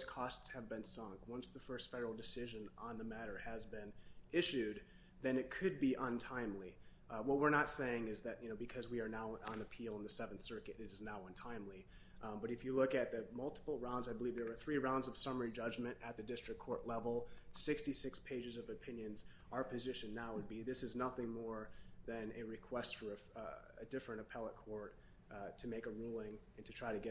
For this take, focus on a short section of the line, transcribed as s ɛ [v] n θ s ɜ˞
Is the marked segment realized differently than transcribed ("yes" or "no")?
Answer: no